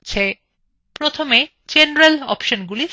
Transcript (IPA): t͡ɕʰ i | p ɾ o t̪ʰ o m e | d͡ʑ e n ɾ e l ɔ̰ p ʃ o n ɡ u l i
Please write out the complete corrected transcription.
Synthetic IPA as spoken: t͡ɕʰ e | p ɾ o t̪ʰ o m e | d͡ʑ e n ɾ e l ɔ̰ p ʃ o n ɡ u l i